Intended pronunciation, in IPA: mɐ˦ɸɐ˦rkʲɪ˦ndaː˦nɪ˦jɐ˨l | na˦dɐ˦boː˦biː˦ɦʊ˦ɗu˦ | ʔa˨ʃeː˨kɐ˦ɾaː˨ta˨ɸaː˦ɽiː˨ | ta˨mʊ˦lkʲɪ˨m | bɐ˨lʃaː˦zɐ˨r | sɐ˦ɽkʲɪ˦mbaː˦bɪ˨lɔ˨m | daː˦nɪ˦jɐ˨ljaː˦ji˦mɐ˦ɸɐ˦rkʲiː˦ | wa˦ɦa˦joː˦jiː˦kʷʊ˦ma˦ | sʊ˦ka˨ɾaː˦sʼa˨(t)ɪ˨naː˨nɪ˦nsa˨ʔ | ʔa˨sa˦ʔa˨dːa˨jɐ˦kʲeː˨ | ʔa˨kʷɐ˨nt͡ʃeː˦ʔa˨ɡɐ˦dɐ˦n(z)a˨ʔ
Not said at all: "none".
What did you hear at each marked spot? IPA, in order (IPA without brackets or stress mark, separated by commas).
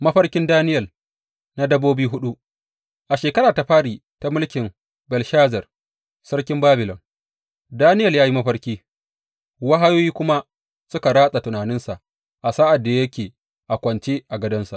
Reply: t, s